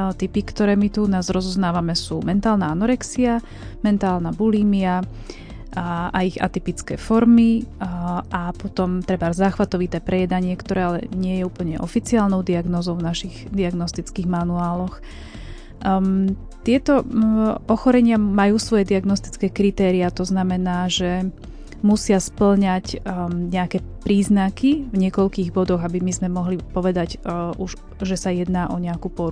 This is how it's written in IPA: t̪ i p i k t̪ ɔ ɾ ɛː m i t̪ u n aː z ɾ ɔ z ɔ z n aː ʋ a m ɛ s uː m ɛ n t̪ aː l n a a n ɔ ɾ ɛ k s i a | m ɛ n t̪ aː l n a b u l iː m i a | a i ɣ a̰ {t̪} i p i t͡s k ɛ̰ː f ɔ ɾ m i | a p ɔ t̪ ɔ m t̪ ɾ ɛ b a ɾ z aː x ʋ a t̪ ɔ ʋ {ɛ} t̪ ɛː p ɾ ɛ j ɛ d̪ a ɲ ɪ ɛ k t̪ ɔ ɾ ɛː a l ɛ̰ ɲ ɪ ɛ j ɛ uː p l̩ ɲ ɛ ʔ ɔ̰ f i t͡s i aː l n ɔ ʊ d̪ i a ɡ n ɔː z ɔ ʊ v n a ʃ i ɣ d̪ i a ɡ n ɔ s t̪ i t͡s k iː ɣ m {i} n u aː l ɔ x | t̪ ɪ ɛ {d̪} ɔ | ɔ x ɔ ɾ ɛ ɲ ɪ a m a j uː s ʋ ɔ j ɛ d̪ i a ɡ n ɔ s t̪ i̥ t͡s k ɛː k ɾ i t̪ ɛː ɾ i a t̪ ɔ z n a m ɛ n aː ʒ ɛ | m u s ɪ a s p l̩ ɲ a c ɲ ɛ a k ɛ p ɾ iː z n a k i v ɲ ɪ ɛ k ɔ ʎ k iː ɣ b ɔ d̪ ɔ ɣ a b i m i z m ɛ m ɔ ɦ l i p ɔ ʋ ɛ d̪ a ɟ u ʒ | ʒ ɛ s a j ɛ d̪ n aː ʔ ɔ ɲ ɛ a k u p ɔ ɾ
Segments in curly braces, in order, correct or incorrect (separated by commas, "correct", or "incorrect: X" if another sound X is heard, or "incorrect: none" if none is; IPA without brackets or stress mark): correct, incorrect: i, incorrect: a, incorrect: t̪